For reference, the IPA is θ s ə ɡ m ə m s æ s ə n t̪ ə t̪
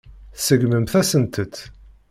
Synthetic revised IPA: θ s ə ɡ m ə m θ æ s ə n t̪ ə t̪